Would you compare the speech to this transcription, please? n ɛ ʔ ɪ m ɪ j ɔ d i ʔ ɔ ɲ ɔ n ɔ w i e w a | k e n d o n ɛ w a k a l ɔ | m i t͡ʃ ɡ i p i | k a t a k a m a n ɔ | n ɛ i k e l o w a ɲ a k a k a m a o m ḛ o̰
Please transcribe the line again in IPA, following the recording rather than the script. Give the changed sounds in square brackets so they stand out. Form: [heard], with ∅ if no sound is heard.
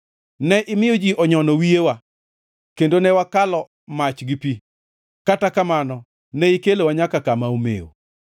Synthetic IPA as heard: n ɛ ʔ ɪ m ɪ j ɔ [d͡ʒ] i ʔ ɔ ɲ ɔ n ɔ w i e w a | k e n d o n ɛ w a k a l ɔ | m [a] t͡ʃ ɡ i p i | k a t a k a m a n ɔ | n ɛ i k e l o w a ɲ a k a k a m a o m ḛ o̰